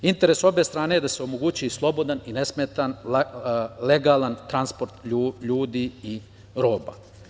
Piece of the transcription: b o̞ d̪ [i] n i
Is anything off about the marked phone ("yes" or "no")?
yes